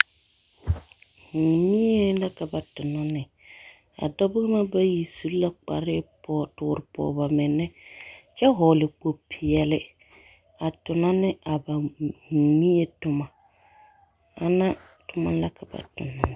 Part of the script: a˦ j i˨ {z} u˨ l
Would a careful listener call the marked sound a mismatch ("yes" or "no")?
yes